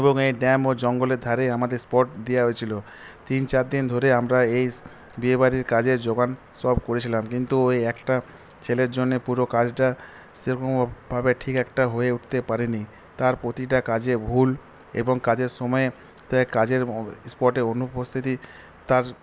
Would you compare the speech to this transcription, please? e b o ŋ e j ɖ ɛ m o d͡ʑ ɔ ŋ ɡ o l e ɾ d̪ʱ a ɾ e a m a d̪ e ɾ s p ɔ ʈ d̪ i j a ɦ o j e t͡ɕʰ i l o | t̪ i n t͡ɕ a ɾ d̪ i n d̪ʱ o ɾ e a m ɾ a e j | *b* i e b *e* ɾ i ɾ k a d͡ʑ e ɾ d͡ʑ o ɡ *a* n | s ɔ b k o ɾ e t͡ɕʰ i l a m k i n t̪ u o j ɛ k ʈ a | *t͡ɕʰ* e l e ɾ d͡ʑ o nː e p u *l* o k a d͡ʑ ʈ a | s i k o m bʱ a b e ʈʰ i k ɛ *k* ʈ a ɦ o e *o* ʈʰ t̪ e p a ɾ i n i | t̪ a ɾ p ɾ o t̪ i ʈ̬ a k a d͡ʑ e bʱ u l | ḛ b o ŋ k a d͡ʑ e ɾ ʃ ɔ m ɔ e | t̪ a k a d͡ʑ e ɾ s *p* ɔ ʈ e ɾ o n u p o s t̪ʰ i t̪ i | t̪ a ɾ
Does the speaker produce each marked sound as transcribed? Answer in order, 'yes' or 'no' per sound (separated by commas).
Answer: yes, no, yes, yes, no, yes, no, yes